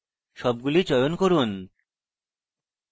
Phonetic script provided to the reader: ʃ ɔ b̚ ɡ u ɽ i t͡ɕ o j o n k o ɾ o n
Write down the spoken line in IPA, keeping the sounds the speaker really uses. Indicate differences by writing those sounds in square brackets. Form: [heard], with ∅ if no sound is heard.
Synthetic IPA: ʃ ɔ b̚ ɡ u [l] i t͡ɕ [ɔ] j o n k o ɾ [u] n

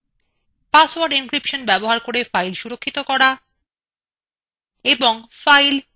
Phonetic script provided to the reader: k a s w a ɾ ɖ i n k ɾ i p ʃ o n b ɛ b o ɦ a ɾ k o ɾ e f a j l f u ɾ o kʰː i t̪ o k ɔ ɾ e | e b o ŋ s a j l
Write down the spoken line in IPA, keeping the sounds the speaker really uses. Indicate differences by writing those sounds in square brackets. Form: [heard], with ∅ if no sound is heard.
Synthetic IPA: [p] a s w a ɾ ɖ i n k ɾ i p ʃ o n b ɛ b o ɦ a ɾ k o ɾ e f a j l [ʃ] u ɾ o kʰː i t̪ o k ɔ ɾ [a] | e b o ŋ [f] a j l

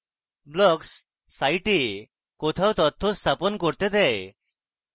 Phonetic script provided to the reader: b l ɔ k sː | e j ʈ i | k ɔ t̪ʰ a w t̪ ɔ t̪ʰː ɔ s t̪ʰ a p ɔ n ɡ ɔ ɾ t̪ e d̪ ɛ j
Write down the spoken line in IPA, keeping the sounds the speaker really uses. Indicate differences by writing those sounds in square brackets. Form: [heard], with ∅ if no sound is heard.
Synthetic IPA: b l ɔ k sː | [a] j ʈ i | k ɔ t̪ʰ a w t̪ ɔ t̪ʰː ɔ s t̪ʰ a p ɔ n [k] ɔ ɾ t̪ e d̪ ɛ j

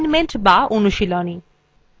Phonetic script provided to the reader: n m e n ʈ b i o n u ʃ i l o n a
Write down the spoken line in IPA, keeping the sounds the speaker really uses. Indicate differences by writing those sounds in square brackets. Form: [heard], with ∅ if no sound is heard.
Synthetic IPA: n m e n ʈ b [a] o n u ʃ i l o n [i]

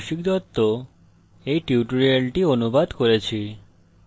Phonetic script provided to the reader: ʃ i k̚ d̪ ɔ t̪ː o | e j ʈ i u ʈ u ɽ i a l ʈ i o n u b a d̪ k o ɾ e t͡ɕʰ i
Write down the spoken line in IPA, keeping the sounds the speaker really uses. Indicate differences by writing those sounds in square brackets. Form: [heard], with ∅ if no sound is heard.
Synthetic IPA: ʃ i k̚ d̪ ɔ t̪ː o | e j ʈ i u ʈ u [ɾ] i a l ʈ i o n u b a d̪ k o ɾ e t͡ɕʰ i

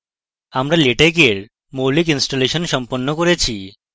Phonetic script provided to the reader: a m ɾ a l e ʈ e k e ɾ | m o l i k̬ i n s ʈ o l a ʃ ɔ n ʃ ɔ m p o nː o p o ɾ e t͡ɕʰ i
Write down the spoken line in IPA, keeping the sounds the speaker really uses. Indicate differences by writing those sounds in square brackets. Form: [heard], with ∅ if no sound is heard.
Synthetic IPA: a m ɾ a l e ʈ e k e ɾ | m o l i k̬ i n s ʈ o l [e] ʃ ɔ n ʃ ɔ m p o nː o [k] o ɾ e t͡ɕʰ i

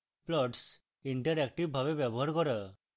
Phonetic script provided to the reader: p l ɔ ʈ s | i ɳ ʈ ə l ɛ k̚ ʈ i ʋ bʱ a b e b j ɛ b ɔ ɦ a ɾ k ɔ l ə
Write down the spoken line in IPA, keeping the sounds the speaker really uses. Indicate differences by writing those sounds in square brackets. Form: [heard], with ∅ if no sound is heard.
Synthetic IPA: p l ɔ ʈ s | i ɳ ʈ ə [ɾ] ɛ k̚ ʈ i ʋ bʱ a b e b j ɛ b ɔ ɦ a ɾ k ɔ [ɾ] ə

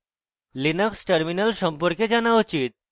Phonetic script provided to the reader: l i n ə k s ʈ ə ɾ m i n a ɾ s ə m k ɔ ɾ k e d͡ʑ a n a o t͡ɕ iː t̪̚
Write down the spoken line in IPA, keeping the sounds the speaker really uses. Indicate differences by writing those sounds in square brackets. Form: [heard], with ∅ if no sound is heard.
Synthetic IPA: l i n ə k s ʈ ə ɾ m i n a [l] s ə m [p] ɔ ɾ k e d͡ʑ a n a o t͡ɕ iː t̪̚

